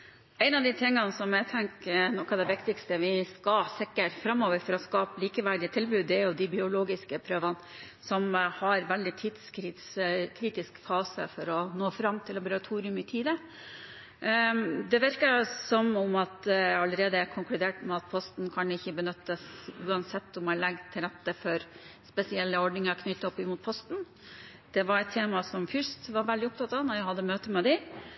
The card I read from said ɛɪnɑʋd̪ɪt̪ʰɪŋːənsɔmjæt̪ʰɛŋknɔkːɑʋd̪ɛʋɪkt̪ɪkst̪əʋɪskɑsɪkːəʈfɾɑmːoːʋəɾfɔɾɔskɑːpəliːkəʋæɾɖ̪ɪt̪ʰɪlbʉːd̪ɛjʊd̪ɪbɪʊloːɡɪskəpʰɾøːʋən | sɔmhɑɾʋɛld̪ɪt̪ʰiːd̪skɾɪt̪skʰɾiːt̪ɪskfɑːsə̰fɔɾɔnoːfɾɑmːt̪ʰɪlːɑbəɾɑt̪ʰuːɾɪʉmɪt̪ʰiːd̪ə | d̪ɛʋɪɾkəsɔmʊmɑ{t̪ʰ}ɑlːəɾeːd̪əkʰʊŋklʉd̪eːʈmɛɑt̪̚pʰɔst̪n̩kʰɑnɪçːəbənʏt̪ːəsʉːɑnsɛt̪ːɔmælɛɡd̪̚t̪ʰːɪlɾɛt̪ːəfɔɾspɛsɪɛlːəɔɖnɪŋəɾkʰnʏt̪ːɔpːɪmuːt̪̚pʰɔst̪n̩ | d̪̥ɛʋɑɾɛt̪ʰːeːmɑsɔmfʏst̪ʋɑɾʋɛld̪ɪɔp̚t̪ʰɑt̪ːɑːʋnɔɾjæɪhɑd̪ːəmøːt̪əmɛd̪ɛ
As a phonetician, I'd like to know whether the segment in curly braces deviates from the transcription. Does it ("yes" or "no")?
yes